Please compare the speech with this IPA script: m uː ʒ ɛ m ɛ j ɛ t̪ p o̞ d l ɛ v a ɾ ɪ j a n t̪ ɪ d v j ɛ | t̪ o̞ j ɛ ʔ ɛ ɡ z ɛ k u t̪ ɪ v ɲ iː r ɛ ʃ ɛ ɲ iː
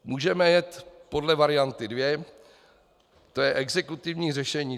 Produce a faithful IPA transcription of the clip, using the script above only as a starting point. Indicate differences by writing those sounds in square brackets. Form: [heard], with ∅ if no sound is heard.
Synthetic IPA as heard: m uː ʒ ɛ m ɛ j ɛ t̪ p o̞ d l ɛ v a ɾ ɪ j a n t̪ ɪ d v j ɛ | t̪ o̞ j ɛ ʔ ɛ ɡ z ɛ k u t̪ ɪ v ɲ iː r ɛ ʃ ɛ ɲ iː